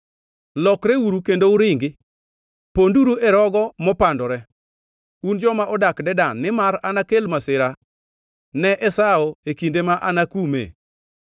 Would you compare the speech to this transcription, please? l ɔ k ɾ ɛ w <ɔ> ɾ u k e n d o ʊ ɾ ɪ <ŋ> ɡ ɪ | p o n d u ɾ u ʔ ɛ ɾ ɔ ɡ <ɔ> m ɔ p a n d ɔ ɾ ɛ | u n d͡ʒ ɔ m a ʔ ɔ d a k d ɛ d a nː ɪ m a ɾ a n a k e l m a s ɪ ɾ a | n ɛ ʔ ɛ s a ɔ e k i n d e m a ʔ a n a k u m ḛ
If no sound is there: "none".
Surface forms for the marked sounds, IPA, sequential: u, ŋ, ɔ

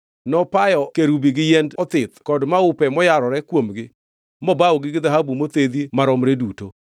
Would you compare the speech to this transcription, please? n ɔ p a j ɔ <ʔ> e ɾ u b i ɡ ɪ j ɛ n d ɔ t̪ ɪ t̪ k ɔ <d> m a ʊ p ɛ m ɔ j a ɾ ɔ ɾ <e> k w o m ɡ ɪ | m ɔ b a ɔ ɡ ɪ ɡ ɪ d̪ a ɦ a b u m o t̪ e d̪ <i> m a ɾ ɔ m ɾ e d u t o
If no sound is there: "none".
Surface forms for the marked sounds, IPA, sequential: k, d, ɛ, i

